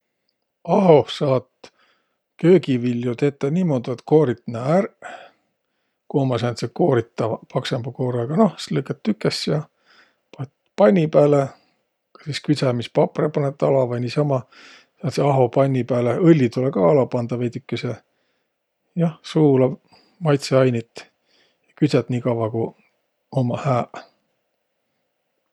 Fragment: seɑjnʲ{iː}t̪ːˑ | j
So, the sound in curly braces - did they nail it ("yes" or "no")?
no